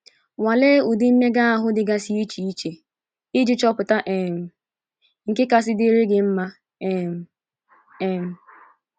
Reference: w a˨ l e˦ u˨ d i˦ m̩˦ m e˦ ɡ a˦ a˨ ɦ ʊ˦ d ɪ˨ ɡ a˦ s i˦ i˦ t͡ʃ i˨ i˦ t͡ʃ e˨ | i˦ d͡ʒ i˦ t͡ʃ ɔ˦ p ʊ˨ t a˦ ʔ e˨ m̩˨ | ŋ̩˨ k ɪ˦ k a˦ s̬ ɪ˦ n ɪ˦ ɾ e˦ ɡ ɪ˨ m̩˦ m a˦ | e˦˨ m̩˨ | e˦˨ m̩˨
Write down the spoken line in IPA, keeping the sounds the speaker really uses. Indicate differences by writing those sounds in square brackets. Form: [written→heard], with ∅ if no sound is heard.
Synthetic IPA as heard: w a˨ l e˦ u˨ d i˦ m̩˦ m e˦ ɡ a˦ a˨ ɦ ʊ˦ d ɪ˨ ɡ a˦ s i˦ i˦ t͡ʃ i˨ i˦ t͡ʃ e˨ | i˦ d͡ʒ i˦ t͡ʃ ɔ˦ p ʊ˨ t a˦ ʔ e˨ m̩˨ | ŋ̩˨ k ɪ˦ k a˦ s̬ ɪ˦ [n→d] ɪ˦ ɾ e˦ ɡ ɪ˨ m̩˦ m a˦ | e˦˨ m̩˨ | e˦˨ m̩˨